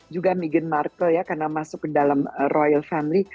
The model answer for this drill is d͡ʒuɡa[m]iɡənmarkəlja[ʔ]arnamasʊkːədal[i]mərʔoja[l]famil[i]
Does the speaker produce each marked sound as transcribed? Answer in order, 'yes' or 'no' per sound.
yes, no, no, yes, yes

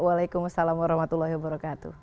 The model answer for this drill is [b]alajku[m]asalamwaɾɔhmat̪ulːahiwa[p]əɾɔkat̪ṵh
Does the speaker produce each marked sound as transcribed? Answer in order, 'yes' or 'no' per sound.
no, yes, no

